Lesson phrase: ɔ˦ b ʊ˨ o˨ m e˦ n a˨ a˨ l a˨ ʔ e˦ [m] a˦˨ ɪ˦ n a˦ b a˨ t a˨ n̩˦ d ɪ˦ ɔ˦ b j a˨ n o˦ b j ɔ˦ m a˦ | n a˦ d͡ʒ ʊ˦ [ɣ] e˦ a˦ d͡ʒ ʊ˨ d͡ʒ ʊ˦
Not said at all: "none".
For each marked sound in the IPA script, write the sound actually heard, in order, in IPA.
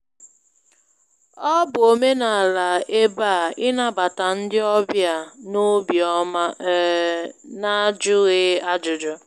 b, ɣ

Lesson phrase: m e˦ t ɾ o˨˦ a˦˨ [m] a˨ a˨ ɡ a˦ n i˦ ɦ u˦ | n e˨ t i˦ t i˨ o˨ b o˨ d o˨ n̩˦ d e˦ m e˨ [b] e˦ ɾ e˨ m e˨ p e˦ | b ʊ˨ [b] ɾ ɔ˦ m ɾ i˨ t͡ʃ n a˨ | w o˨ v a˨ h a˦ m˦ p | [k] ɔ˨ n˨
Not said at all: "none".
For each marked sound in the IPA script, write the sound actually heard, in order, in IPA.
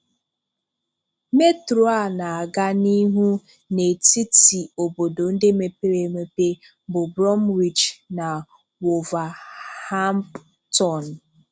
n, p, b, t

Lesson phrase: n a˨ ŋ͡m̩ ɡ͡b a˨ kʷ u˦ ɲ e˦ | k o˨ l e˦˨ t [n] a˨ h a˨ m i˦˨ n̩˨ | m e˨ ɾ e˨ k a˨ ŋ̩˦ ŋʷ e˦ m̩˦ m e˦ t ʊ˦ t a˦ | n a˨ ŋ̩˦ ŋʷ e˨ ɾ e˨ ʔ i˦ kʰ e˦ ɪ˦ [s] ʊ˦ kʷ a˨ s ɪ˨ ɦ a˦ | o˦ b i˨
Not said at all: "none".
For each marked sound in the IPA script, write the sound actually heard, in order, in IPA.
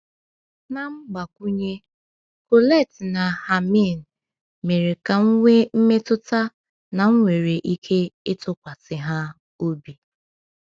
n, t

